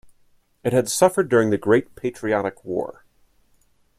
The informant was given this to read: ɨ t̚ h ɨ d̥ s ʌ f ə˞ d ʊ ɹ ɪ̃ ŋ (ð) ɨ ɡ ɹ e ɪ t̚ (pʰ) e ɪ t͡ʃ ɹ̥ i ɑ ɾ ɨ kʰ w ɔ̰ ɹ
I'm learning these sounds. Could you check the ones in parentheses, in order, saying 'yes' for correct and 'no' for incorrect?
yes, yes

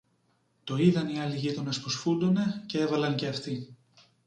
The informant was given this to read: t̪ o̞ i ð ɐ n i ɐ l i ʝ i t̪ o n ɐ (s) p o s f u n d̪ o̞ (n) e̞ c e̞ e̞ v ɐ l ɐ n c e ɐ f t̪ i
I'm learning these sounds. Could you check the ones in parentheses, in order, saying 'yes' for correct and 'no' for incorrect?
yes, yes

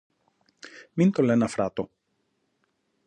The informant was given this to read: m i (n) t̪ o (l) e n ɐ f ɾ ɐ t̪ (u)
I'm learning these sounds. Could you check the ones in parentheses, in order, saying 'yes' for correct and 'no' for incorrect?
yes, yes, no

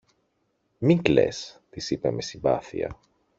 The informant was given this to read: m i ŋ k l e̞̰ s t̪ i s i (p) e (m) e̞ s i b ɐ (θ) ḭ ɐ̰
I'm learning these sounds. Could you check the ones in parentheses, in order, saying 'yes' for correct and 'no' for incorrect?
yes, yes, yes

